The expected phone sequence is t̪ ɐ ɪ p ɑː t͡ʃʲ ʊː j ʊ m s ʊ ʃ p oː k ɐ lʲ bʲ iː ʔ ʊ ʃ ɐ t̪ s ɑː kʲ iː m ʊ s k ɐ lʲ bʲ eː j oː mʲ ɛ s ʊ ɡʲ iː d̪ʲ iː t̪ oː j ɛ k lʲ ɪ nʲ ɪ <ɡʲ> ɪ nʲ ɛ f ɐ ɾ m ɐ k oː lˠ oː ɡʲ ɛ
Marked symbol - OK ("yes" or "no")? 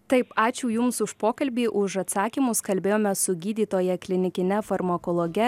no